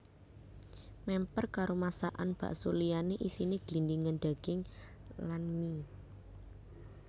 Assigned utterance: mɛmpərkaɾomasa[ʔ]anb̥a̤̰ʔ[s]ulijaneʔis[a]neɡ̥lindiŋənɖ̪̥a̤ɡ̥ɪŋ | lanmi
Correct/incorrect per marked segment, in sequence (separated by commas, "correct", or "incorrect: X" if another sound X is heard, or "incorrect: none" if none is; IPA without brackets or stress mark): correct, correct, incorrect: i